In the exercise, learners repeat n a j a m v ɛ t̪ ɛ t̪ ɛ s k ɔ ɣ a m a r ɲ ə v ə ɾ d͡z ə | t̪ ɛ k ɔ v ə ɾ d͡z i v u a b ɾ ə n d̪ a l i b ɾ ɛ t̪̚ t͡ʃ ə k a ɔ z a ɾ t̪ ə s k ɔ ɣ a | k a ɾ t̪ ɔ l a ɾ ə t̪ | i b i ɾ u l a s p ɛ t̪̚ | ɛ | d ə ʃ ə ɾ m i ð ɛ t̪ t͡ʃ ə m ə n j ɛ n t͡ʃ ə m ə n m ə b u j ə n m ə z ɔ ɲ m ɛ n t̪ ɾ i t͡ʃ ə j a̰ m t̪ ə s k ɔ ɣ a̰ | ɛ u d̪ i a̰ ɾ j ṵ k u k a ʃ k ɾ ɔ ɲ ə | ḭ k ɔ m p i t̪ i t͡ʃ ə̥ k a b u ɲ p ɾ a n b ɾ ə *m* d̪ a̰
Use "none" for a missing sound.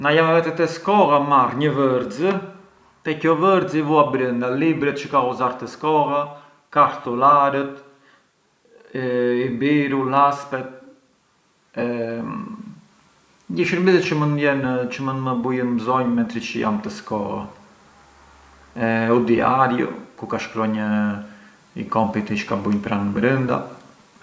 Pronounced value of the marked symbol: n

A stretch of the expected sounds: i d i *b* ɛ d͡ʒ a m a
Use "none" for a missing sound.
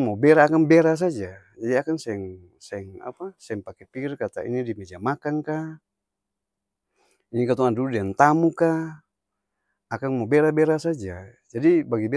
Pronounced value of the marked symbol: m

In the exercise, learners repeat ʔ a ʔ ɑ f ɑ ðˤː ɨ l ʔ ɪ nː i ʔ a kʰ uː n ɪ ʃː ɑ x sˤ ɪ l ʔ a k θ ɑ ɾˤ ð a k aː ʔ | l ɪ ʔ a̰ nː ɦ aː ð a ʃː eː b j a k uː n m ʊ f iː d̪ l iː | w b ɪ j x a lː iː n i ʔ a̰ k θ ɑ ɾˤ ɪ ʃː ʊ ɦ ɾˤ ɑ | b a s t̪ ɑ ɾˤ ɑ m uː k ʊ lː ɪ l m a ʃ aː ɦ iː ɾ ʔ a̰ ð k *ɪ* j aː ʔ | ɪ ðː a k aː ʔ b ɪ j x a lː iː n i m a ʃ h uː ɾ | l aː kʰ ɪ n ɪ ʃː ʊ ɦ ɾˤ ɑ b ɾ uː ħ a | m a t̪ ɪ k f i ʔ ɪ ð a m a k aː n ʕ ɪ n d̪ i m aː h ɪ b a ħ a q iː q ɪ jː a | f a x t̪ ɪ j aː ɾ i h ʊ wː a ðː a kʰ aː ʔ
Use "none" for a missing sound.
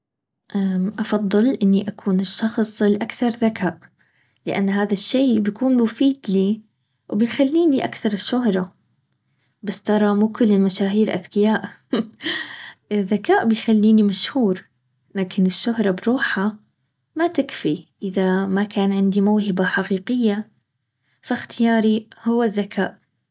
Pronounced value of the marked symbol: ɪ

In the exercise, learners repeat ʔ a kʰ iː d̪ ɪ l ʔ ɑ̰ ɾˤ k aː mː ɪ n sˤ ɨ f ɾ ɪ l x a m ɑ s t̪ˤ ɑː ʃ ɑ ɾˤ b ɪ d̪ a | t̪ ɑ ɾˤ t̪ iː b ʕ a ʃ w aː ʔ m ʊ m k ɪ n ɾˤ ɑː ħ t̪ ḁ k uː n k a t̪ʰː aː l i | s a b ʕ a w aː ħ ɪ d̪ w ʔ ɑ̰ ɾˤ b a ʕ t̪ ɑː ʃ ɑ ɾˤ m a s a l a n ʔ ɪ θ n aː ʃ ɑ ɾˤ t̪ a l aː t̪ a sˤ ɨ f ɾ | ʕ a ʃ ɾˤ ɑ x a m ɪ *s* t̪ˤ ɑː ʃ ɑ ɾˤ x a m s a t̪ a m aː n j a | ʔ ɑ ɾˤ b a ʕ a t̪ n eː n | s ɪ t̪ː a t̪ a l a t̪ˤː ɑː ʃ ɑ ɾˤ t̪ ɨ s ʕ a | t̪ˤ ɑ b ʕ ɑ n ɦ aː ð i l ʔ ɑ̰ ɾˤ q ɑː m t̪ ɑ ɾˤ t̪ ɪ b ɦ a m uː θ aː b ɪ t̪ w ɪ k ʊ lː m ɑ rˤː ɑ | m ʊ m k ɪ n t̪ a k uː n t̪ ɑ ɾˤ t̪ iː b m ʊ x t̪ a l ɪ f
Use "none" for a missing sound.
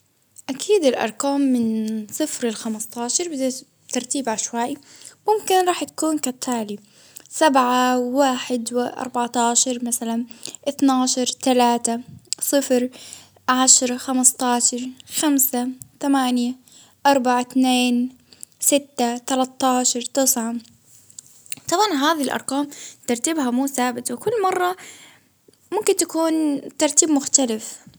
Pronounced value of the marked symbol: s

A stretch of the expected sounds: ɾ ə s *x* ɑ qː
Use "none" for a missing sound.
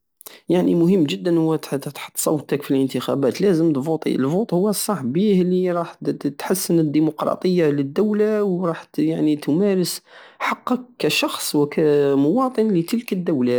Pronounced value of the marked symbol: ħ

